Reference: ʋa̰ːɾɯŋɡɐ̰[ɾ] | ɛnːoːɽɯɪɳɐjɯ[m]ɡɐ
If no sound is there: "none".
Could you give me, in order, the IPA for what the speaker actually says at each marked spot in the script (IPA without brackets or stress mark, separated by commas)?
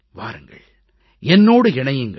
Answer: ɭ, ŋ